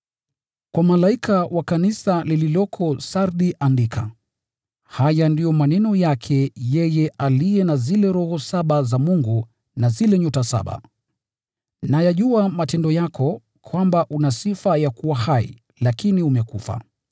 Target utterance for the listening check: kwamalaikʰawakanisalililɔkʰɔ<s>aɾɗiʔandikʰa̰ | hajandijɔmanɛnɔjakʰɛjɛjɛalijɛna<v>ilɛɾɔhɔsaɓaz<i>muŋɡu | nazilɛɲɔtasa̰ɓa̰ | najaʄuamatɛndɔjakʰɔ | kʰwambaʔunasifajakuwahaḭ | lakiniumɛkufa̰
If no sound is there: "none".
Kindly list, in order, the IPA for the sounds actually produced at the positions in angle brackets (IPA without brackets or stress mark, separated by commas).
s, z, a